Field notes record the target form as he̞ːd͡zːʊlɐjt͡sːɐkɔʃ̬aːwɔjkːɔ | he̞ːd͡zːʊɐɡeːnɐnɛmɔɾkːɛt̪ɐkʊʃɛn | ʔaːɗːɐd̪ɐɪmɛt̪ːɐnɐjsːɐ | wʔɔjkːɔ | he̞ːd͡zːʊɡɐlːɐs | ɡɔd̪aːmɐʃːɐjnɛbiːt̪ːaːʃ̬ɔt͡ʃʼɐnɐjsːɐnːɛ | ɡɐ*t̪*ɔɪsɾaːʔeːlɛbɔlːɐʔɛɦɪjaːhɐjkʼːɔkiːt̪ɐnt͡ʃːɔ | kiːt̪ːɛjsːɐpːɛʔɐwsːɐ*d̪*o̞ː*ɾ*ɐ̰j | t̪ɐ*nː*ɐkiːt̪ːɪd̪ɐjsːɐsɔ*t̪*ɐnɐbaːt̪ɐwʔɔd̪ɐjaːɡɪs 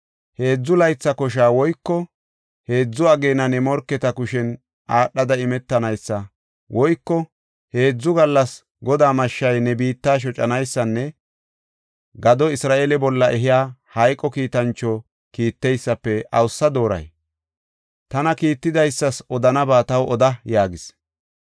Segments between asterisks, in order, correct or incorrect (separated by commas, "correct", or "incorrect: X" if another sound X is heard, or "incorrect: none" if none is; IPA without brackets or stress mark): incorrect: d̪, correct, correct, incorrect: n, incorrect: d̪